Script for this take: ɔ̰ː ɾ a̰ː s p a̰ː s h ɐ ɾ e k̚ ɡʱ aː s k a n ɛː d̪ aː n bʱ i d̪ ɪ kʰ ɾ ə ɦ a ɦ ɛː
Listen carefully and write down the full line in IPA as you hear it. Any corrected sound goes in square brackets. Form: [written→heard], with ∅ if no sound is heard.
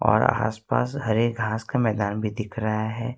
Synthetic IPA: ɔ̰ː ɾ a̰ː s p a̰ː s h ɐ ɾ e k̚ ɡʱ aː s k a [n→m] ɛː d̪ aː n bʱ i d̪ ɪ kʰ ɾ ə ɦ a ɦ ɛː

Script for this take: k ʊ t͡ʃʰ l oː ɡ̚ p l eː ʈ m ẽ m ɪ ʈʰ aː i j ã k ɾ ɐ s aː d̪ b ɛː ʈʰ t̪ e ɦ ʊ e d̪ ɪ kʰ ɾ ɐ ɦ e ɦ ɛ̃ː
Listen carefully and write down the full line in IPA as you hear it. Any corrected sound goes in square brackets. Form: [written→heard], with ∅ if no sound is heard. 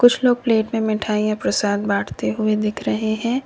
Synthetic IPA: k ʊ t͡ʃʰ l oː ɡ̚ p l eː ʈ m ẽ m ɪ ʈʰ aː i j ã [k→p] ɾ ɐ s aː d̪ b [ɛː→aː] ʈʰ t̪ e ɦ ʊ e d̪ ɪ kʰ ɾ ɐ ɦ e ɦ ɛ̃ː

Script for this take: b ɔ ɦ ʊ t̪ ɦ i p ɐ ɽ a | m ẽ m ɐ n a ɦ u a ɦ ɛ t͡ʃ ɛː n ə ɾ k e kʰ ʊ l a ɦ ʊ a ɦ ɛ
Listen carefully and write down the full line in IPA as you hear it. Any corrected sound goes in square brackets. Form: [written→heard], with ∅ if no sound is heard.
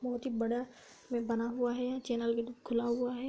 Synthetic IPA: b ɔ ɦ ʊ t̪ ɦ i [p→b] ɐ ɽ a | m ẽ [m→b] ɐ n a ɦ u a ɦ ɛ t͡ʃ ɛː n ə [ɾ→l] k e kʰ ʊ l a ɦ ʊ a ɦ ɛ

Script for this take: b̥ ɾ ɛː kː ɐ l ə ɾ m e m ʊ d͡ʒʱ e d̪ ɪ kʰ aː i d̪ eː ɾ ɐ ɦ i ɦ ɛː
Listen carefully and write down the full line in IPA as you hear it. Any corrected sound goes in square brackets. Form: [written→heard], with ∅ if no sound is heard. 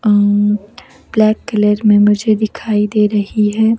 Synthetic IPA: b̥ [ɾ→l] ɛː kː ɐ l ə ɾ m [e→ẽ] m ʊ d͡ʒʱ e d̪ ɪ kʰ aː i d̪ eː ɾ ɐ ɦ i ɦ ɛː

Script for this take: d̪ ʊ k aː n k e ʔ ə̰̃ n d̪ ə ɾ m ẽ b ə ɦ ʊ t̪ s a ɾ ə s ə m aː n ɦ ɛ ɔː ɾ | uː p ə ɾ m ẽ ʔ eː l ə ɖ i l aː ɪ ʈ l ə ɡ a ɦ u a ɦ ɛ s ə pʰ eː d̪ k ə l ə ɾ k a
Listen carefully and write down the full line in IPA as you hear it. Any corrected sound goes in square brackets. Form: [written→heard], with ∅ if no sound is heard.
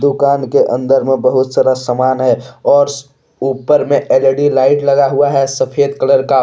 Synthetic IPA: d̪ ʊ k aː n k e ʔ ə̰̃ n d̪ ə ɾ m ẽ b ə ɦ ʊ t̪ s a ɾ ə s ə m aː n ɦ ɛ ɔː ɾ | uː p ə ɾ m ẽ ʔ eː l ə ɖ i l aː ɪ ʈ l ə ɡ a ɦ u a ɦ ɛ s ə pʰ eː d̪ k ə l ə ɾ k a

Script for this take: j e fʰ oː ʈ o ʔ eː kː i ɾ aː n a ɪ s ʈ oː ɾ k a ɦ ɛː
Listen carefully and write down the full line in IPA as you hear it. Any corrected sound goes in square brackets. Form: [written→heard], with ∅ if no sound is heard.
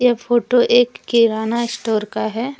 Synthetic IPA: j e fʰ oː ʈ o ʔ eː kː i ɾ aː n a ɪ s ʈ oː ɾ k a ɦ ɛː

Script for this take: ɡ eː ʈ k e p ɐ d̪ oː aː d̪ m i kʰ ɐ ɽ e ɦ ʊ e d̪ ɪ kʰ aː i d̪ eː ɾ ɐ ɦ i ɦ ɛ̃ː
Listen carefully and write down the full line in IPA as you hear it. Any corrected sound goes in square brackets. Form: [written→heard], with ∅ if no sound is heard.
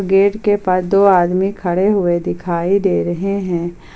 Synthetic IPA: ɡ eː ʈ k e p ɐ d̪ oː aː d̪ m i kʰ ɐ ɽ e ɦ ʊ e d̪ ɪ kʰ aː i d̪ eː ɾ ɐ ɦ [i→e] ɦ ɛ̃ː

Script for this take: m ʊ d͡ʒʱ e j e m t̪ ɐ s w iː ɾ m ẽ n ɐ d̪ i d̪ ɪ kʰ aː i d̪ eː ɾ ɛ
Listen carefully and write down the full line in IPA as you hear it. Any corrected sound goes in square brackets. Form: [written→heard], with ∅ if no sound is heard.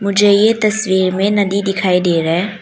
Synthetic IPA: m ʊ d͡ʒʱ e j e [m→∅] t̪ ɐ s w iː ɾ m ẽ n ɐ d̪ i d̪ ɪ kʰ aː i d̪ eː ɾ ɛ

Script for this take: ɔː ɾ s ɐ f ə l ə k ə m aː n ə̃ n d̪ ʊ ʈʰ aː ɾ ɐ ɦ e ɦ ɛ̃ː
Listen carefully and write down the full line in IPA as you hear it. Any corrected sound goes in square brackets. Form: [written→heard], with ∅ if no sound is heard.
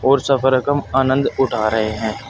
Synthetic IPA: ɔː ɾ s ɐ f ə [l→ɾ] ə k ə m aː n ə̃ n d̪ ʊ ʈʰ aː ɾ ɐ ɦ e ɦ ɛ̃ː

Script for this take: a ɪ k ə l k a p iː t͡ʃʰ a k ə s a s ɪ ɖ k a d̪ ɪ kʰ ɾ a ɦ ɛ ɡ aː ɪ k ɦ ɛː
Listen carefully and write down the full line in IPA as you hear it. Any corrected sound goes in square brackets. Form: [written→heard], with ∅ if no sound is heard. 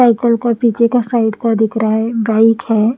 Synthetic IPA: a ɪ k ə l k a p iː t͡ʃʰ [a→e] k [ə→a] s a [s→∅] ɪ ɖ k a d̪ ɪ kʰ ɾ a ɦ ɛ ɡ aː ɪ k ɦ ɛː

